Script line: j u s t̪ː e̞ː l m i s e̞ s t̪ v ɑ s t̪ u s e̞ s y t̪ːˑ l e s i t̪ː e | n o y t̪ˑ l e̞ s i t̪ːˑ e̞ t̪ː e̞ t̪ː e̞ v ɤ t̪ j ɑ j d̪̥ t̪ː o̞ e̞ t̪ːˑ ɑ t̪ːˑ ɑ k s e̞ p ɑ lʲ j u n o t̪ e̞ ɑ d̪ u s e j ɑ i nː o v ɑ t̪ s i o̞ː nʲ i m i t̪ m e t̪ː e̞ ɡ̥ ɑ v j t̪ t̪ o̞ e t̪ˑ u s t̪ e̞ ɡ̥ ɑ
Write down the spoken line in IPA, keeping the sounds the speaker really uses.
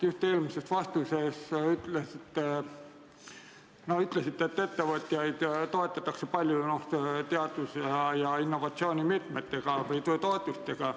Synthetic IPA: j u s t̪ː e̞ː l m i s e̞ s t̪ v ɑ s t̪ u s e̞ s y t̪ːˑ l e s i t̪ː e | n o y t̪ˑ l e̞ s i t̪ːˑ e̞ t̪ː e̞ t̪ː e̞ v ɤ t̪ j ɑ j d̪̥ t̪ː o̞ e̞ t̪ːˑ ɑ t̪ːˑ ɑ k s e̞ p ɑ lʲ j u n o t̪ e̞ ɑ d̪ u s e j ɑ i nː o v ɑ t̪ s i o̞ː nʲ i m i t̪ m e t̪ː e̞ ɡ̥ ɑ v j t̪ t̪ o̞ e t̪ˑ u s t̪ e̞ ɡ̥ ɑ